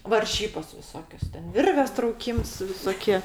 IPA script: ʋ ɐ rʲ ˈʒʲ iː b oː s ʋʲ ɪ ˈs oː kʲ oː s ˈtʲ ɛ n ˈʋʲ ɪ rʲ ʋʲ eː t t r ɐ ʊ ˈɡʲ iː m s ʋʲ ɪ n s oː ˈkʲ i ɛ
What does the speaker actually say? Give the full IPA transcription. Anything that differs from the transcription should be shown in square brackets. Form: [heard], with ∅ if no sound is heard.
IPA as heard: ʋ ɐ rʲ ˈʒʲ iː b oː s ʋʲ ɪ ˈs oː kʲ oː s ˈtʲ ɛ n ˈʋʲ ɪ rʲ ʋʲ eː [s] t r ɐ ʊ [ˈkʲ] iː m s ʋʲ ɪ [∅] s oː ˈkʲ i ɛ